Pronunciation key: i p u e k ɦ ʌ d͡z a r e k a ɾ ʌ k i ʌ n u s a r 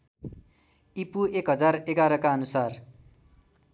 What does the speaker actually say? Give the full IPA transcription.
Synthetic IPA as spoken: i p u e k ɦ ʌ d͡z a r e ɡ a ɾ ʌ k a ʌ n u s a r